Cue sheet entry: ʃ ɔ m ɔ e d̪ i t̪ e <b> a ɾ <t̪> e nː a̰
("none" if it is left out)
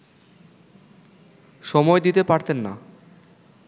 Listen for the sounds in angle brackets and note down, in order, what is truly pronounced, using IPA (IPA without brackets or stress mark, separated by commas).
p, t̪